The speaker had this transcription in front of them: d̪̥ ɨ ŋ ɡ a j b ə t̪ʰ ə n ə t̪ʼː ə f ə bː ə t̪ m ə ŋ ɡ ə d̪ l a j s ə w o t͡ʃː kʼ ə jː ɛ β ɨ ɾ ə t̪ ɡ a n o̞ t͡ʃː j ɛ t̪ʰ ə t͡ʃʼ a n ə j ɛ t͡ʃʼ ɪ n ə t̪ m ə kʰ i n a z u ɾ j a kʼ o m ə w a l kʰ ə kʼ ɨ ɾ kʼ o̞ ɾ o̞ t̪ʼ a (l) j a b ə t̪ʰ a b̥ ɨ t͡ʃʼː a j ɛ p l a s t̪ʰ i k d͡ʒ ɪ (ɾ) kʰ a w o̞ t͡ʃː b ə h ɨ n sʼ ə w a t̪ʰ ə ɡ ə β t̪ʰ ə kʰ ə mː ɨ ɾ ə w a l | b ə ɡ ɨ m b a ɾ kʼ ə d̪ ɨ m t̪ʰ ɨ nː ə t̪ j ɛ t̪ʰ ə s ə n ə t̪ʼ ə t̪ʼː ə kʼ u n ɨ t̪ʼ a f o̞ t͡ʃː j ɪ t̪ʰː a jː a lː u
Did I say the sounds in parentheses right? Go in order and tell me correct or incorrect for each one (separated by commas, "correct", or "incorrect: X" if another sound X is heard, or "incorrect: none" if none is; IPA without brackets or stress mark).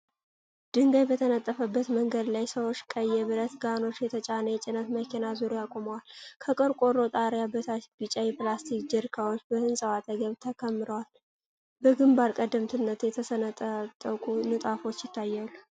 incorrect: ɾ, correct